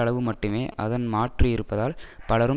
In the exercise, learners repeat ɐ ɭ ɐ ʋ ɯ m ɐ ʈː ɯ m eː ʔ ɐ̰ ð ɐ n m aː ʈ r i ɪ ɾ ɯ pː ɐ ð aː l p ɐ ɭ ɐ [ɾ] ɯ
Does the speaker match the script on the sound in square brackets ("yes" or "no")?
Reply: yes